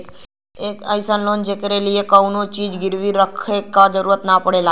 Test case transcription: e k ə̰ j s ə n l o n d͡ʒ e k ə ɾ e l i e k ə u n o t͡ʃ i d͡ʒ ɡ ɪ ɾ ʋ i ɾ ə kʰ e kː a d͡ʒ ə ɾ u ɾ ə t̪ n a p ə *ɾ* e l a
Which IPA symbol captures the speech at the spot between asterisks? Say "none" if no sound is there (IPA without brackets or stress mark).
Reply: ɽ